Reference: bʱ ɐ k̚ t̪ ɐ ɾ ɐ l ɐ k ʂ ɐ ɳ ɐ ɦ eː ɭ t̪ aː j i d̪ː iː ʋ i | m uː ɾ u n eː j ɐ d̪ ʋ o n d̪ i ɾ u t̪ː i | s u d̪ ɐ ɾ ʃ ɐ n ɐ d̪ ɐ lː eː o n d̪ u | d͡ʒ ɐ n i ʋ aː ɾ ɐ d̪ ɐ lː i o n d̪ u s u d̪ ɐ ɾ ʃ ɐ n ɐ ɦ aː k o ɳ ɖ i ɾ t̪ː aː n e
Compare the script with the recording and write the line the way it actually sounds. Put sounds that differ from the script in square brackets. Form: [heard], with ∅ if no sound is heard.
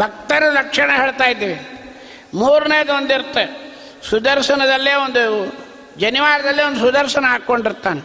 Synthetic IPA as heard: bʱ ɐ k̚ t̪ ɐ ɾ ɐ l ɐ k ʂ ɐ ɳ ɐ ɦ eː ɭ t̪ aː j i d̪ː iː ʋ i | m uː ɾ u n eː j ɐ d̪ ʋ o n d̪ i ɾ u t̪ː [e] | s u d̪ ɐ ɾ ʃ ɐ n ɐ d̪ ɐ lː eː o n d̪ u | d͡ʒ ɐ n i ʋ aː ɾ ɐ d̪ ɐ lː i o n d̪ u s u d̪ ɐ ɾ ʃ ɐ n ɐ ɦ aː k o ɳ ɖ i ɾ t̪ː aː n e